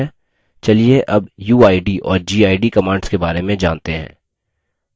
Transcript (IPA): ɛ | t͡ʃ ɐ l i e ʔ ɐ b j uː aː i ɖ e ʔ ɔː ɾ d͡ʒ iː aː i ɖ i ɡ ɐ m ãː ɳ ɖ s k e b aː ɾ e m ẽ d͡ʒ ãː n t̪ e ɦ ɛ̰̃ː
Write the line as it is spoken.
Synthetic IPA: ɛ | t͡ʃ ɐ l i e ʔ ɐ b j uː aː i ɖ i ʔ ɔː ɾ d͡ʒ iː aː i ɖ i k ɐ m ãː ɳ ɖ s k e b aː ɾ e m ẽ d͡ʒ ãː n t̪ e ɦ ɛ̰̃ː

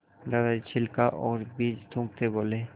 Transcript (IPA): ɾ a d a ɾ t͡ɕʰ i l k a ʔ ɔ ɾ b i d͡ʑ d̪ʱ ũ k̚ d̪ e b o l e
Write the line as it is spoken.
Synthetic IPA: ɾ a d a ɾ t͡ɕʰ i l k a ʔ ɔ ɾ b i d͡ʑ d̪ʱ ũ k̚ t̪ e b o l e

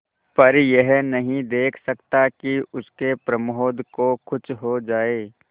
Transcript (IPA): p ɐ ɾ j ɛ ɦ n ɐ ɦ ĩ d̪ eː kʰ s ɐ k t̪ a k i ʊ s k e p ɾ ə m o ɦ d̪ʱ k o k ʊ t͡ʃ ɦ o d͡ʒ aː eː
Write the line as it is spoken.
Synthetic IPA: p ɐ ɾ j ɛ ɦ n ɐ ɦ ĩ d̪ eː kʰ s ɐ k t̪ a k i ʊ s k e p ɾ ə m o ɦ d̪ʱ k o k ʊ t͡ʃ ɦ o d͡ʒ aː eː

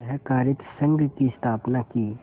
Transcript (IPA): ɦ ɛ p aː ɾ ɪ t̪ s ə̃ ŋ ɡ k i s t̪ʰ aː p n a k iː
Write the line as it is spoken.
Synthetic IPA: ɦ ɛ k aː ɾ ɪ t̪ s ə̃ ŋ ɡ k i s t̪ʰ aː p n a k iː

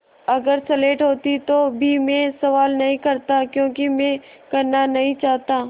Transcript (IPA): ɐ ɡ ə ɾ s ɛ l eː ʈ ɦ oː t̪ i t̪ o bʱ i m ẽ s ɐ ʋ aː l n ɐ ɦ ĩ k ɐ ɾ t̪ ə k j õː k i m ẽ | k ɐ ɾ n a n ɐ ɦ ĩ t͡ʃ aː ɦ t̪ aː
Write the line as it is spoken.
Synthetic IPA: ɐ ɡ ə ɾ s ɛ l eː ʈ ɦ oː t̪ i t̪ o bʱ i m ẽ s ɐ ʋ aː l n ɐ ɦ ĩ k ɐ ɾ t̪ a k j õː k i m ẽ | k ɐ ɾ n a n ɐ ɦ ĩ t͡ʃ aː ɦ t̪ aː

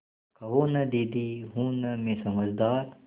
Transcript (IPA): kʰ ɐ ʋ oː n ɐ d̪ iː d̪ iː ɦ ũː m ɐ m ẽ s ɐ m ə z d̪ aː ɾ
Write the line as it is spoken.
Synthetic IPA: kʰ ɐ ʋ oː n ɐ d̪ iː d̪ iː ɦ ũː n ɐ m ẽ s ɐ m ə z d̪ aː ɾ

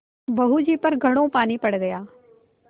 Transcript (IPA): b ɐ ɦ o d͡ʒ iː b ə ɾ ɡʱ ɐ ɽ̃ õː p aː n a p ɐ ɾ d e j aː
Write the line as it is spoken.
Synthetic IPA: b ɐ ɦ u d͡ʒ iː p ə ɾ ɡʱ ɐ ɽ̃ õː p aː n i p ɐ ɽ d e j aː

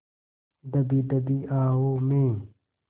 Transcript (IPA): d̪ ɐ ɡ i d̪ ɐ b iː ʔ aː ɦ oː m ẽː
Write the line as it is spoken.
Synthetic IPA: d̪ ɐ b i d̪ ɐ b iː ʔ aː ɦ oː m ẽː

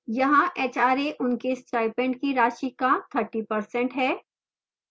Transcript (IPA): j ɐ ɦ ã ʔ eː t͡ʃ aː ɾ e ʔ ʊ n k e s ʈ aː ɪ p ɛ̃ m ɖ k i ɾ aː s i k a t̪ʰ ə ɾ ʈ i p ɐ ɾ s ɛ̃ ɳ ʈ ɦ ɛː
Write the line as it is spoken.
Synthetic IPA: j ɐ ɦ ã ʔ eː t͡ʃ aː ɾ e ʔ ʊ n k e s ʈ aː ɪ p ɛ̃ ɳ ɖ k i ɾ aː ʃ i k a t̪ʰ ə ɾ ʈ i p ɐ ɾ s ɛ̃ ɳ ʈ ɦ ɛː

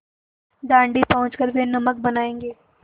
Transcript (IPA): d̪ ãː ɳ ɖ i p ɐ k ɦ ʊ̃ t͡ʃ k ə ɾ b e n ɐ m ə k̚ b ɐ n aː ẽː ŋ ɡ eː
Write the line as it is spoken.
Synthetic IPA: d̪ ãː ɳ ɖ i p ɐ ɦ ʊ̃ t͡ʃ k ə ɾ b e n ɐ m ə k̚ b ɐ n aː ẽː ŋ ɡ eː

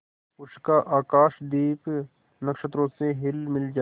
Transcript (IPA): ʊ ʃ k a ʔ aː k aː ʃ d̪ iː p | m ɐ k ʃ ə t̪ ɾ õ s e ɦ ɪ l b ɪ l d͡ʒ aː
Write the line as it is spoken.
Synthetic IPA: ʊ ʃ k a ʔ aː k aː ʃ d̪ iː p | n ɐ k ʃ ə t̪ ɾ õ s e ɦ ɪ l m ɪ l d͡ʒ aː

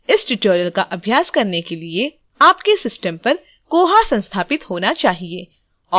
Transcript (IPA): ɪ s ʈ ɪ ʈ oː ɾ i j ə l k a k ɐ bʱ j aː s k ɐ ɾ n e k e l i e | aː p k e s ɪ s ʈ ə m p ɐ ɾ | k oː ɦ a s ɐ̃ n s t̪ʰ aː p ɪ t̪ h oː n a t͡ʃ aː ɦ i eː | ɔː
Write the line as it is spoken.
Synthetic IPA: ɪ s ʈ ɪ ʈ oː ɾ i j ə l k a ʔ ɐ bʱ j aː s k ɐ ɾ n e k e l i e | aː p k e s ɪ s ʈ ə m p ɐ ɾ | k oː ɦ a s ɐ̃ n s t̪ʰ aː p ɪ t̪ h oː n a t͡ʃ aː ɦ i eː | ɔː

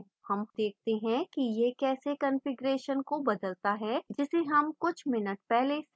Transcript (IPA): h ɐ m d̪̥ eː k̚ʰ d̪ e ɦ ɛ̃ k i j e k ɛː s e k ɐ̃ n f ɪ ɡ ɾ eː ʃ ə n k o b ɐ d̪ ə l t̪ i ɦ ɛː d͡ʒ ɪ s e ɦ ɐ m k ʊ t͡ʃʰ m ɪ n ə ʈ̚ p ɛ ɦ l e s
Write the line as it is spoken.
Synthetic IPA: h ɐ m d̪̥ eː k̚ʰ t̪ e ɦ ɛ̃ k i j e k ɛː s e k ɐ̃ n f ɪ ɡ ɾ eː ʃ ə n k o b ɐ d̪ ə l t̪ a ɦ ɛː d͡ʒ ɪ s e ɦ ɐ m k ʊ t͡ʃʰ m ɪ n ə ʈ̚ p ɛ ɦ l e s

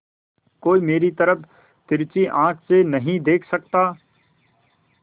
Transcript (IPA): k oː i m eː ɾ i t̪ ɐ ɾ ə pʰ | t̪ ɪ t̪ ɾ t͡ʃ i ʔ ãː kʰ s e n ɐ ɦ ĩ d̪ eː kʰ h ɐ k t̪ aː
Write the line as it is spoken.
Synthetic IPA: k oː i m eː ɾ i t̪ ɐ ɾ ə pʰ | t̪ ɪ ɾ t͡ʃ i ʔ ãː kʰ s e n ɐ ɦ ĩ d̪ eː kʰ s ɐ k t̪ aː

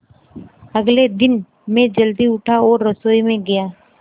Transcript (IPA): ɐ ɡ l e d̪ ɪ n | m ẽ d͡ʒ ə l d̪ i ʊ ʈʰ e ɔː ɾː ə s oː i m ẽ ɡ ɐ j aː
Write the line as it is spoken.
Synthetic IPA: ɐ ɡ l e d̪ ɪ n | m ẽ d͡ʒ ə l d̪ i ʊ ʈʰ a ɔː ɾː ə s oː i m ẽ ɡ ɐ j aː

